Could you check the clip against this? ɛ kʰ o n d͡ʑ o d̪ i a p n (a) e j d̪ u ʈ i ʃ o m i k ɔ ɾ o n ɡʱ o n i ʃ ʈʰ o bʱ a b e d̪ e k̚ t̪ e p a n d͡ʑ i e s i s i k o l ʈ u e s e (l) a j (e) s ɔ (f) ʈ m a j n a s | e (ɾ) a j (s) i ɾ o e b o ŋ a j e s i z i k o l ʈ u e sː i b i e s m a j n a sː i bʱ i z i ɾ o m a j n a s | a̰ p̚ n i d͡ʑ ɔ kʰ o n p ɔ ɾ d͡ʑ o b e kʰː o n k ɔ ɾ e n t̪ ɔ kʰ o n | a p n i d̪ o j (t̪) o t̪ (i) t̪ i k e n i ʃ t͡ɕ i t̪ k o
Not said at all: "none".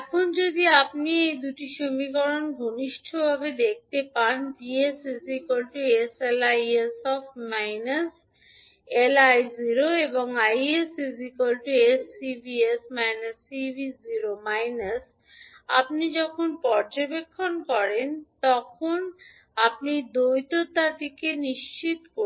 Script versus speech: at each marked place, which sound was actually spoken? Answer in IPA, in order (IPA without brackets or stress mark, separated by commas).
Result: i, l, e, f, l, z, t̪, a